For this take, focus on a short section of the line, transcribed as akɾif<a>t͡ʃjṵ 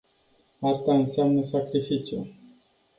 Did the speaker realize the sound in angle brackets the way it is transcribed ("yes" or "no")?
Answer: no